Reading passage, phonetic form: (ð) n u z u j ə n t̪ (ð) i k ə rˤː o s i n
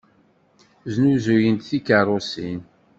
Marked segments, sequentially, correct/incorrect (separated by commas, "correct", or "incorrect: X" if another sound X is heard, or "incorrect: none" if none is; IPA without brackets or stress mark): incorrect: z, incorrect: θ